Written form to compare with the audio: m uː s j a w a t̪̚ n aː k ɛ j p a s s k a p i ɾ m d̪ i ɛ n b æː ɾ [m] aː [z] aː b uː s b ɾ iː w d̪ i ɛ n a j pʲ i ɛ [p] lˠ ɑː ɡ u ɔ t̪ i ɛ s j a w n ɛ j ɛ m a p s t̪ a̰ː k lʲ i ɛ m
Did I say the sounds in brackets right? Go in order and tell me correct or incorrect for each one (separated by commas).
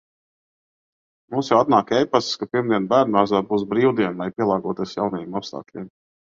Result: incorrect, correct, incorrect